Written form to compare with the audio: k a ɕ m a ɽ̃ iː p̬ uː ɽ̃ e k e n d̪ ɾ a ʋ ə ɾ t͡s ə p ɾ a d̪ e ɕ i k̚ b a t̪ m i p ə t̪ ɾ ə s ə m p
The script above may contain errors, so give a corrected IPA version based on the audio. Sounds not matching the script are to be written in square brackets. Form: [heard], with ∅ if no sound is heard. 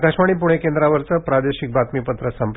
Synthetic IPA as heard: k a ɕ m a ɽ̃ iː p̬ [u] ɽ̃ e k e n d̪ ɾ a ʋ ə ɾ t͡s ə p ɾ a d̪ e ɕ i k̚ b a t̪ m i p ə t̪ ɾ ə s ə m p